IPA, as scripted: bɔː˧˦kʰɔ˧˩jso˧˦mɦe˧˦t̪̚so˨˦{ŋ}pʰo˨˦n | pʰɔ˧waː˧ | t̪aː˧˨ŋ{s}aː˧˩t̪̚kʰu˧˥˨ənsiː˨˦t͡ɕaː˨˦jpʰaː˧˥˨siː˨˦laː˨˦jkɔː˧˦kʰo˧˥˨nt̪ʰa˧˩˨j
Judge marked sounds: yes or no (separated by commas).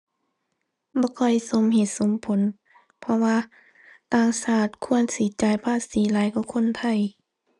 no, yes